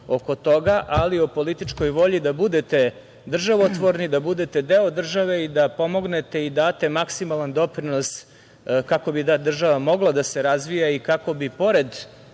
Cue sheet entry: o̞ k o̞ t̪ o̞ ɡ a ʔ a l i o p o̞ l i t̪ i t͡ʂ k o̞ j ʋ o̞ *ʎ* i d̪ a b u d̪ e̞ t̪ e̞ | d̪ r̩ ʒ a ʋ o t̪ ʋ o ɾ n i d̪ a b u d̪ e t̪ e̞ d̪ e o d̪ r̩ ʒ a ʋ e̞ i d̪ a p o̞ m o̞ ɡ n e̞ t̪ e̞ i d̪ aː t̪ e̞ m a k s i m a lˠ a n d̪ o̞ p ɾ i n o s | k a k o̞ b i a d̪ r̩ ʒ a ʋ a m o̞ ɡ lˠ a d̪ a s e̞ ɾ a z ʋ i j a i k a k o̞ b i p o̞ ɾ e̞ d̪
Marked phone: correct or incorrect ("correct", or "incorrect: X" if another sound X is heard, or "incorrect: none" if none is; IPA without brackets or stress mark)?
correct